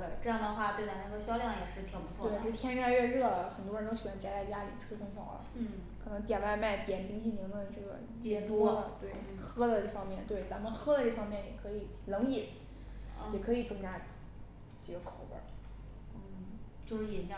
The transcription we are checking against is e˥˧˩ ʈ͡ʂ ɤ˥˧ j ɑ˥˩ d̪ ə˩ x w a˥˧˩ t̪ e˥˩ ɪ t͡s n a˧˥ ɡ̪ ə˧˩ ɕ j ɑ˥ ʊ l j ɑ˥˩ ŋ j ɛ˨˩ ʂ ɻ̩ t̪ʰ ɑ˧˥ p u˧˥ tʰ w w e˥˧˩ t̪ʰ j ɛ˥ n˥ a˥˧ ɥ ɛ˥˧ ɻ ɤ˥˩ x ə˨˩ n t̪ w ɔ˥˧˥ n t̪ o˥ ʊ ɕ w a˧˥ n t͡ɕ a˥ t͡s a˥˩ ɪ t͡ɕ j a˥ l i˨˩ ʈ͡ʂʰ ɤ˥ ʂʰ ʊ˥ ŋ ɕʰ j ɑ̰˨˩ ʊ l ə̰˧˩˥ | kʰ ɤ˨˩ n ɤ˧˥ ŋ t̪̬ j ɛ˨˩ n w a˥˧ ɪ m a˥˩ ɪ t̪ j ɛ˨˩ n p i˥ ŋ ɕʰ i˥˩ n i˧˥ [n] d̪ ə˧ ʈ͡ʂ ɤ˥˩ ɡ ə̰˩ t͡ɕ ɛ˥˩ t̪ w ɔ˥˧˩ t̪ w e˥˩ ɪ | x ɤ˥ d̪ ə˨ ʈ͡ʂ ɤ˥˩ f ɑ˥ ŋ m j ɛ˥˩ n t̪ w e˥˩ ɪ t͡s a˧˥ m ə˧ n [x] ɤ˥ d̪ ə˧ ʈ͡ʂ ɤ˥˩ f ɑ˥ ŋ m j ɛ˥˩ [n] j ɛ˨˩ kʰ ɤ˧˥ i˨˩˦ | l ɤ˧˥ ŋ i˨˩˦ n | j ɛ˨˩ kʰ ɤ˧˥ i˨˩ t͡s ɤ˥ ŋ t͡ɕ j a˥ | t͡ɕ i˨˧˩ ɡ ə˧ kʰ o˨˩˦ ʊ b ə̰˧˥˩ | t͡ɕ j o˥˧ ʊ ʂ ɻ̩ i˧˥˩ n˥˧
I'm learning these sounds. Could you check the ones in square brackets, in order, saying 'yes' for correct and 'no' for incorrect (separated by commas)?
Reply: no, yes, yes